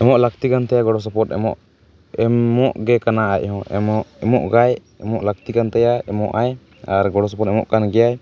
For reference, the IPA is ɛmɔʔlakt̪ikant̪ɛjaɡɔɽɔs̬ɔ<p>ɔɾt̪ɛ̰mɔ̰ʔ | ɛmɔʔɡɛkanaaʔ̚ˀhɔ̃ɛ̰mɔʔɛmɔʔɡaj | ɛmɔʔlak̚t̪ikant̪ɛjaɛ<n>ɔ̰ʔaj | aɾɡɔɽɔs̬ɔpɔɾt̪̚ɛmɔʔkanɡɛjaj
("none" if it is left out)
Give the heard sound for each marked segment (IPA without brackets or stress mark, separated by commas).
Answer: p, m